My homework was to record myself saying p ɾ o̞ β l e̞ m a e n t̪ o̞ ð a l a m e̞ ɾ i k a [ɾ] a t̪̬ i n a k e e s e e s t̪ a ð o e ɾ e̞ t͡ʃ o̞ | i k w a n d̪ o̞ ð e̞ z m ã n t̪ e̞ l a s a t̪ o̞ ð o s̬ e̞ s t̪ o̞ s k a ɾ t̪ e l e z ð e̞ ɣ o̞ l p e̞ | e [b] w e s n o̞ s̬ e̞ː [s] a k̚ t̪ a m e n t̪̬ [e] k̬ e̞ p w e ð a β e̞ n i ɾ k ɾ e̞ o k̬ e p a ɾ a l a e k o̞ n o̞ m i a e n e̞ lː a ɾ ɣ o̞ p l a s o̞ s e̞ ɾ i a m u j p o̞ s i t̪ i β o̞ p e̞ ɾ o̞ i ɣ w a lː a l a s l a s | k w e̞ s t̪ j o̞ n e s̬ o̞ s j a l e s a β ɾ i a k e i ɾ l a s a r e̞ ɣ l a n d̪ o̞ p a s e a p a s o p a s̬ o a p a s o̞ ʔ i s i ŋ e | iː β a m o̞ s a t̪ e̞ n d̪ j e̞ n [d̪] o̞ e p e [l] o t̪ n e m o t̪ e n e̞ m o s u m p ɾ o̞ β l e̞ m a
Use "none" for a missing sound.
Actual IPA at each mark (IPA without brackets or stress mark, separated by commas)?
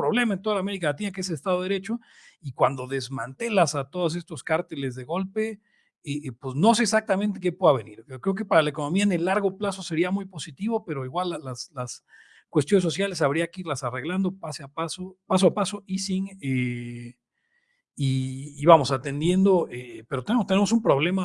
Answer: l, p, s, e, d̪, ɾ